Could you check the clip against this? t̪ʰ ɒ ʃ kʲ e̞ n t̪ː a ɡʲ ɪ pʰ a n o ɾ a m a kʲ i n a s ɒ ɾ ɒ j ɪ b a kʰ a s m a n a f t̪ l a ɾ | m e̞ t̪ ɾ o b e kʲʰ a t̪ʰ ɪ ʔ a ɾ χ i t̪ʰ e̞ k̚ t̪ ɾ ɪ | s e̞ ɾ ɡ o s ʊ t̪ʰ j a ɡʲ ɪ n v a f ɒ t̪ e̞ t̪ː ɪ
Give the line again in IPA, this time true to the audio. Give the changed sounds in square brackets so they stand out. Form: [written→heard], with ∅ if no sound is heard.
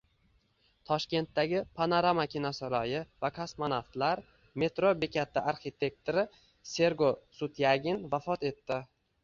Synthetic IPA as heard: t̪ʰ ɒ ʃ kʲ e̞ n t̪ː a ɡʲ ɪ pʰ a n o ɾ a m a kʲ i n a s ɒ ɾ ɒ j ɪ [b→v] a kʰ a s m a n a f t̪ l a ɾ | m e̞ t̪ ɾ o b e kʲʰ a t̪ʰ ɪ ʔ a ɾ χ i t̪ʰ e̞ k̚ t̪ ɾ ɪ | s e̞ ɾ ɡ o s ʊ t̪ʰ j a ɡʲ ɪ n v a f ɒ t̪ e̞ t̪ː ɪ